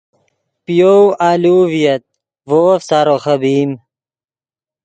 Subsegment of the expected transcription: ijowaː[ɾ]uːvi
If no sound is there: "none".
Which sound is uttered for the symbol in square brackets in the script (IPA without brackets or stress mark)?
l